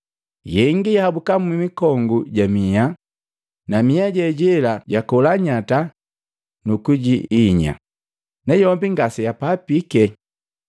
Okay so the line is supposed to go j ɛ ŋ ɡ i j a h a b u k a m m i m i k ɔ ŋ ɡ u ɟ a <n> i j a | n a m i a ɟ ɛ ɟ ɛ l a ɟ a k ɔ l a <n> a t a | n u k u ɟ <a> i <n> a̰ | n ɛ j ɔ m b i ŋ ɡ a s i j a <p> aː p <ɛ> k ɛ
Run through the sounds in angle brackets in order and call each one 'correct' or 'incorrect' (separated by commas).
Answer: incorrect, incorrect, incorrect, incorrect, correct, incorrect